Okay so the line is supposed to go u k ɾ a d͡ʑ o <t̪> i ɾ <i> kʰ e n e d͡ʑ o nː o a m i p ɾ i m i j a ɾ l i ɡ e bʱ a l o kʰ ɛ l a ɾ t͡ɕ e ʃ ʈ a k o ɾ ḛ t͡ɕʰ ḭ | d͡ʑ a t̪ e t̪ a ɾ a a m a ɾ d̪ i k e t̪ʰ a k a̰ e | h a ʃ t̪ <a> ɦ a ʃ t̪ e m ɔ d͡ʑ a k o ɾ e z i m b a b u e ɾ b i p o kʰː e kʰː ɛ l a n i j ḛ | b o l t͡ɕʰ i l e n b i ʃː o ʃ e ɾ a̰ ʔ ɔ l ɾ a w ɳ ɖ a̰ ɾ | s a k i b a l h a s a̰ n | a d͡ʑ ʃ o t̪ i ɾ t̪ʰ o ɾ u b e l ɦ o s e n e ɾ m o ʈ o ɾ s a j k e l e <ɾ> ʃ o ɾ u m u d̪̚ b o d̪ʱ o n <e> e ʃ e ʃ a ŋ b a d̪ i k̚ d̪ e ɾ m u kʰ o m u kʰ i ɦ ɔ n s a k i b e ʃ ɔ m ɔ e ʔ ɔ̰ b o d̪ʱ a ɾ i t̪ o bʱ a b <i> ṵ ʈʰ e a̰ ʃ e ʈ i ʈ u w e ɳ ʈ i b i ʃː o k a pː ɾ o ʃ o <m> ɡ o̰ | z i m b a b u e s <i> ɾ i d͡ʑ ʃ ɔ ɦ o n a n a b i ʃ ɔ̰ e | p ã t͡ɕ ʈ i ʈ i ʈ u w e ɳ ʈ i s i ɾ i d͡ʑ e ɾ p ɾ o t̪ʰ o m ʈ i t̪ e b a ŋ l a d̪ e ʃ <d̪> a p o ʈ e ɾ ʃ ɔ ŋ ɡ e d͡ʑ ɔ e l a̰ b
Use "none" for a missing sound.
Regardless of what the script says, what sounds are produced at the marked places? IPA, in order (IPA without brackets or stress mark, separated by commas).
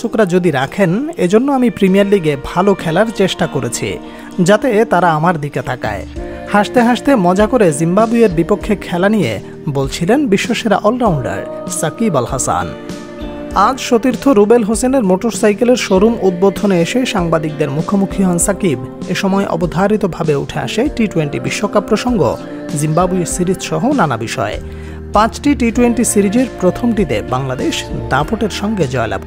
d̪, a, e, ɾ, e, e, ŋ, i, d̪